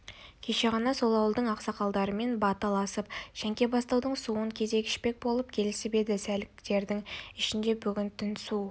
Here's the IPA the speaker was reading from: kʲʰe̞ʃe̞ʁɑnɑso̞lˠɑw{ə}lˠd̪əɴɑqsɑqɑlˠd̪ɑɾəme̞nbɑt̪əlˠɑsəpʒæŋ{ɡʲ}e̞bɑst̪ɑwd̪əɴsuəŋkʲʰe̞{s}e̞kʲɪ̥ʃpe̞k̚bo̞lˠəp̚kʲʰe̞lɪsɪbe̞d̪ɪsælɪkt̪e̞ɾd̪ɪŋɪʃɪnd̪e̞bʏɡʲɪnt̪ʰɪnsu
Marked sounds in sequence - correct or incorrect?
correct, incorrect, incorrect

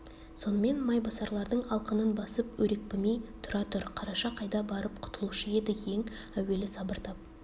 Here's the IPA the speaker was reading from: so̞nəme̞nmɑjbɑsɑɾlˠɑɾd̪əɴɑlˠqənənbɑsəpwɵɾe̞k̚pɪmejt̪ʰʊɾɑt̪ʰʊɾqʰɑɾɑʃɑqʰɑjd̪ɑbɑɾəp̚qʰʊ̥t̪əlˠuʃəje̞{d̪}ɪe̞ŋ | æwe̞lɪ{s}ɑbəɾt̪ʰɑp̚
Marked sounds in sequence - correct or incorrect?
correct, correct

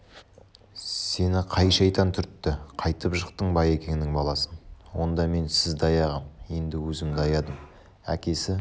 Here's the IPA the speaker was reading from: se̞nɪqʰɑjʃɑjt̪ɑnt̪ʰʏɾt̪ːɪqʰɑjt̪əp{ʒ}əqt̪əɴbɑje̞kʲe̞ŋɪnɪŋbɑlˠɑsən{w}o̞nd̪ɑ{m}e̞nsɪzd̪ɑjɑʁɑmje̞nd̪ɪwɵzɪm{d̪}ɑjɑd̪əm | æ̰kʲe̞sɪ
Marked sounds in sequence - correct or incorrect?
correct, correct, correct, correct

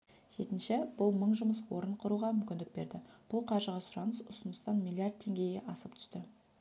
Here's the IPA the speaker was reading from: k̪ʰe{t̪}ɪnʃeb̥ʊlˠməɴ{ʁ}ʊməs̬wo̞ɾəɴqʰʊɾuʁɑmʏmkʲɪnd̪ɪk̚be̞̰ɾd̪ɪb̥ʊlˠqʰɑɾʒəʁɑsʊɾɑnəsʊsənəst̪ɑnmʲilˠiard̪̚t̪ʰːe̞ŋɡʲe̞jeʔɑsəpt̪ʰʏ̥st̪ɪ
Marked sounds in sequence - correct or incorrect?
correct, incorrect

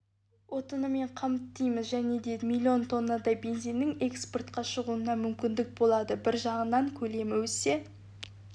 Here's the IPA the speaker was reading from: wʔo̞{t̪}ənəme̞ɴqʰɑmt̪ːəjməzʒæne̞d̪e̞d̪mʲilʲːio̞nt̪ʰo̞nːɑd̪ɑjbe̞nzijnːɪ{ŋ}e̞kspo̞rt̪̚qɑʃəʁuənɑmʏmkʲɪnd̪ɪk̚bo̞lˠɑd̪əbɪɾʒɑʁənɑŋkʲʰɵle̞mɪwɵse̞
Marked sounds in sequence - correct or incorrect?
correct, correct

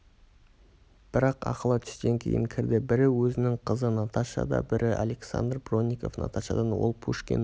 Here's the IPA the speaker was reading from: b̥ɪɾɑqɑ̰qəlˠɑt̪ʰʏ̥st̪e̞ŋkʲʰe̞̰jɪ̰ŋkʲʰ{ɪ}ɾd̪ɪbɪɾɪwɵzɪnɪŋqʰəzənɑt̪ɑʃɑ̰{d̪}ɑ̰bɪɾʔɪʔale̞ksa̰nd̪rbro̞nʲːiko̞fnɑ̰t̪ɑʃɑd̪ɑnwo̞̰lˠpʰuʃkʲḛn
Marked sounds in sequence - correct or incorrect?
correct, correct

